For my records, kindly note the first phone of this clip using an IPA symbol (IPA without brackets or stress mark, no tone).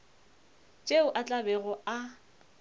t͡ʃʼ